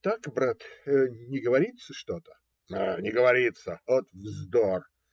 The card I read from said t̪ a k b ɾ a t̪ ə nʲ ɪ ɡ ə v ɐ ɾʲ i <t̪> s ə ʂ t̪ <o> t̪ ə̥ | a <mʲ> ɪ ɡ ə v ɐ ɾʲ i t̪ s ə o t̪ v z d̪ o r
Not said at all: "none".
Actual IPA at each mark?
t̪, o, nʲ

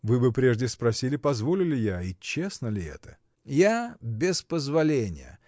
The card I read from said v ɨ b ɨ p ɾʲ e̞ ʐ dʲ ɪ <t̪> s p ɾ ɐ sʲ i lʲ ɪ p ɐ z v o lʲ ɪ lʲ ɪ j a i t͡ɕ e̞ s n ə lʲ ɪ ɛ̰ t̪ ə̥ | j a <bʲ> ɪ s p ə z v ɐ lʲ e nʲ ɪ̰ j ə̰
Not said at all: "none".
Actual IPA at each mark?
none, bʲ

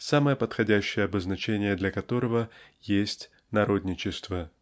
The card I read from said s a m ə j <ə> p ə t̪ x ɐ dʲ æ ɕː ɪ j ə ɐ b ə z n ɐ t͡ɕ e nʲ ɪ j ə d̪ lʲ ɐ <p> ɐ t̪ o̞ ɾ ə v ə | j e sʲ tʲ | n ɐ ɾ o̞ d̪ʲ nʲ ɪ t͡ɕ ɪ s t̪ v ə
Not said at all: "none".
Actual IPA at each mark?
ə, k

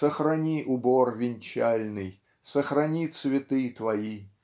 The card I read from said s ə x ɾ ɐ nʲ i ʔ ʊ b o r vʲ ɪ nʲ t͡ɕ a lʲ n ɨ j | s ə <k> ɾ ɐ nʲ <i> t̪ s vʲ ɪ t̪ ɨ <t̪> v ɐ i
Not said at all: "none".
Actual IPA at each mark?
x, i, t̪

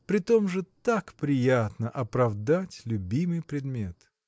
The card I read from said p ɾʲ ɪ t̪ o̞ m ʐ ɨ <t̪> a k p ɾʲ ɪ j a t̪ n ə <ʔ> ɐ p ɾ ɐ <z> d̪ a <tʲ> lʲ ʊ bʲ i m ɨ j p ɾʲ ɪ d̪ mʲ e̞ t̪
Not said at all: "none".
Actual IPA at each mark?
t̪, ʔ, v, tʲ

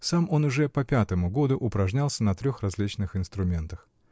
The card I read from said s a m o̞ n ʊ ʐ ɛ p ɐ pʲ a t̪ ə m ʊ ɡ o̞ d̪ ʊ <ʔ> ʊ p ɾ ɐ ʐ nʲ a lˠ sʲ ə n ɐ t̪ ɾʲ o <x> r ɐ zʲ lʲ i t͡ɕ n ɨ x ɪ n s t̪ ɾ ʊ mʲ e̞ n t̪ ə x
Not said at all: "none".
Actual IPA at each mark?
ʔ, x

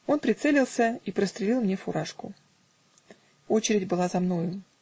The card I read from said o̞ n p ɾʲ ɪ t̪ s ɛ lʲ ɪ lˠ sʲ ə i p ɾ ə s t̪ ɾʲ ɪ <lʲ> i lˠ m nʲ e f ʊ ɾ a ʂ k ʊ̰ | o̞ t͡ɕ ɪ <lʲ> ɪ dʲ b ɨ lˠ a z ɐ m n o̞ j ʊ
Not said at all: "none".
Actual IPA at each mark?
lʲ, ɾʲ

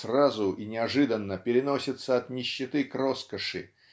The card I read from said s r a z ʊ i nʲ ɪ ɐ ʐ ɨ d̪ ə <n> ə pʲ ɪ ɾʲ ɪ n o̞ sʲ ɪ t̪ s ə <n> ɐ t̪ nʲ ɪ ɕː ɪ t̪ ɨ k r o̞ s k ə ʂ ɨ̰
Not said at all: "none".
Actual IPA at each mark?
nː, none

